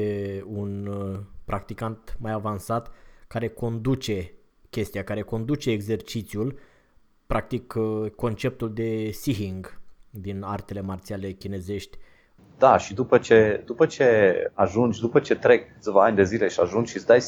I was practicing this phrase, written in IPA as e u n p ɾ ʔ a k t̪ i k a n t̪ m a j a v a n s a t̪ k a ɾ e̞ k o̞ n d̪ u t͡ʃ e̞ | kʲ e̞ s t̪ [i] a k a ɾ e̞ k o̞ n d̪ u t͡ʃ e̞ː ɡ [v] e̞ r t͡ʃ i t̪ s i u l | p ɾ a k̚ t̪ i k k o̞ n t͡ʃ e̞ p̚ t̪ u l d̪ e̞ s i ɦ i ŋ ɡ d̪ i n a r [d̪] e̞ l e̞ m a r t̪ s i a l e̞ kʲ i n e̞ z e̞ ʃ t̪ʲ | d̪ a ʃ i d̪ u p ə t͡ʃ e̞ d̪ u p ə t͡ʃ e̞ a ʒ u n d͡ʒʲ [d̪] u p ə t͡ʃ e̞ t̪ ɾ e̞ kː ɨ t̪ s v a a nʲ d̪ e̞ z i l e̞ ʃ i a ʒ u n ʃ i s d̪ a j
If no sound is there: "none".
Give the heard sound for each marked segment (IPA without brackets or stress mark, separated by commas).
i, z, t̪, d̪